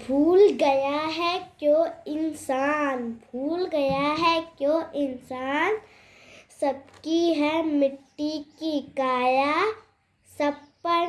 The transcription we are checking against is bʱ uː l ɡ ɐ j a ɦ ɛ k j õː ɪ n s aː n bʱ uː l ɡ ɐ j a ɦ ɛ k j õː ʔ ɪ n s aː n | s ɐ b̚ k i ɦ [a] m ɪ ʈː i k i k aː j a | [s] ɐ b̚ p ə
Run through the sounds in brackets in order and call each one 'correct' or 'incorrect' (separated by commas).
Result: incorrect, correct